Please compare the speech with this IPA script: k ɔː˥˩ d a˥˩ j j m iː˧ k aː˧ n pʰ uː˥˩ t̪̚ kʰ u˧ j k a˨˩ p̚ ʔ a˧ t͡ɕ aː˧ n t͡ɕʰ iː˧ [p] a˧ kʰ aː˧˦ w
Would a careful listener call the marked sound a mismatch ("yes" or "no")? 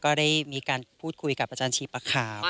no